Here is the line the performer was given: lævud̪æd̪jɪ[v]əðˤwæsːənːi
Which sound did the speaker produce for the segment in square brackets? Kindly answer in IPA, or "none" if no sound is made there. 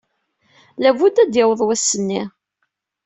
w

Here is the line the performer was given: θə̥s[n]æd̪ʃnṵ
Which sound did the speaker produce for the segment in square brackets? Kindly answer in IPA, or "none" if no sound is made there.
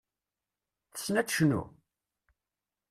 n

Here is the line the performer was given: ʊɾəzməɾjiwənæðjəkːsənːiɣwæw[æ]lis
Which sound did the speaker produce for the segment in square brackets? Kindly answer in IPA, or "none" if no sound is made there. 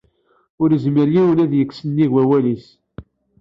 æ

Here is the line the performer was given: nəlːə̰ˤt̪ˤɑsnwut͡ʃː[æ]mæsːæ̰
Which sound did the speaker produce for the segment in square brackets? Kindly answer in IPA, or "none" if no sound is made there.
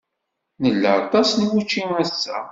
i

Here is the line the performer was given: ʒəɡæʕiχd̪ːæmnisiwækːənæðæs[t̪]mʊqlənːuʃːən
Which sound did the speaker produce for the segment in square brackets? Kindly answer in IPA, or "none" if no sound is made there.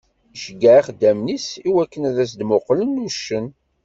d̪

